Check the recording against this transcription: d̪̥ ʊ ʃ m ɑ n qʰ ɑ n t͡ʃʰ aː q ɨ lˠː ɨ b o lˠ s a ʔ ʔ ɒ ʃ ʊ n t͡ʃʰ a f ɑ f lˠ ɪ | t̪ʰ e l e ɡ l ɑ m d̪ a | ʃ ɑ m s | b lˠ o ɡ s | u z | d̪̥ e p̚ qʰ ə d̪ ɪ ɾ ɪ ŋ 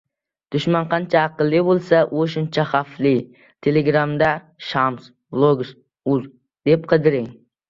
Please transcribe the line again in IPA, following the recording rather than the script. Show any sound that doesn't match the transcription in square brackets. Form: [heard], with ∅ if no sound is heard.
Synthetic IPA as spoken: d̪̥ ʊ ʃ m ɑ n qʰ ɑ n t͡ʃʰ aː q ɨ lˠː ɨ b o lˠ s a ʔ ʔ [o] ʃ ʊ n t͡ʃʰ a [χ] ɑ f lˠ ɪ | t̪ʰ e l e ɡ [ɾ] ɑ m d̪ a | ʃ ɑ m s | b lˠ o ɡ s | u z | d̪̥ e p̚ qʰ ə d̪ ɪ ɾ ɪ ŋ